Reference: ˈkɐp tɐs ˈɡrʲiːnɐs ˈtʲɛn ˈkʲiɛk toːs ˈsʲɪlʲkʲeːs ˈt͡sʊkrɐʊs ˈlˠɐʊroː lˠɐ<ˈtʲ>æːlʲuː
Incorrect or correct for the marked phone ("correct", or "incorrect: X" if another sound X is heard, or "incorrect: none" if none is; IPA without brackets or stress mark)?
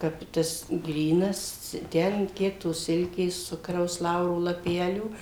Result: incorrect: pʲ